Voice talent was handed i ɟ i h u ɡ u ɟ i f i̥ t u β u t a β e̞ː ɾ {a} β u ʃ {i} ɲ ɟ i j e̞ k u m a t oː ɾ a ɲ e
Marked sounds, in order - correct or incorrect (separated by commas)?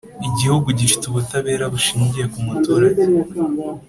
correct, incorrect